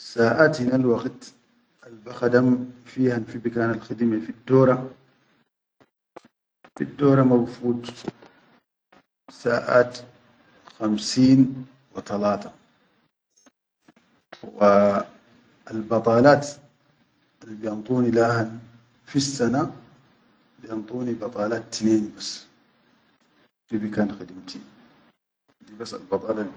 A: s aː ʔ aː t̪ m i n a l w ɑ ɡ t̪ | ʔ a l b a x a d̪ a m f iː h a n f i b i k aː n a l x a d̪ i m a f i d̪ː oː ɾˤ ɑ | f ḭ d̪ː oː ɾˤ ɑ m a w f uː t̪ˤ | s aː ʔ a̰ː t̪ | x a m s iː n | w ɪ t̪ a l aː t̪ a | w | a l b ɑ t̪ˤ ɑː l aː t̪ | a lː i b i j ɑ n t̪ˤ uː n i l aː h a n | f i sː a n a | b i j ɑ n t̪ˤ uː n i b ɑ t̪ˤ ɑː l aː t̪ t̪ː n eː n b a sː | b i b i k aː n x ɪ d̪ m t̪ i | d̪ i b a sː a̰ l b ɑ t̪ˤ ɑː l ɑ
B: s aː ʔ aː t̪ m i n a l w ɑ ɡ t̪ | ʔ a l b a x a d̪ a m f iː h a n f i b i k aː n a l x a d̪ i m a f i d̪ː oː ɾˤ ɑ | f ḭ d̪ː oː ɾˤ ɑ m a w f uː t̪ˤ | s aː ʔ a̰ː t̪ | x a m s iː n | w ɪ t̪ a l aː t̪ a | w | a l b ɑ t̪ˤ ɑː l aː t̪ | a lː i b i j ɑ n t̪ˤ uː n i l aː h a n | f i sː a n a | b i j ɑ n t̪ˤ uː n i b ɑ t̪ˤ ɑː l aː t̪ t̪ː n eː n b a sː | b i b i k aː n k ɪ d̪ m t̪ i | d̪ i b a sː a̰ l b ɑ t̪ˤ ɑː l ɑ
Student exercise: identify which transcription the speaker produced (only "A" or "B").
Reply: A